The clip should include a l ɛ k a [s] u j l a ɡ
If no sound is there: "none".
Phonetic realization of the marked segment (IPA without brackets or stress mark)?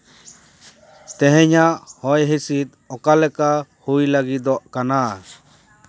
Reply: h